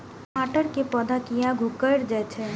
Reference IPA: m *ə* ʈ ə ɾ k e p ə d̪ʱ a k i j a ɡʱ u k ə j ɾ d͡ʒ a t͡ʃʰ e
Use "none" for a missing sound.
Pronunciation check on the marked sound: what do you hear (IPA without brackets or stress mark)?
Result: a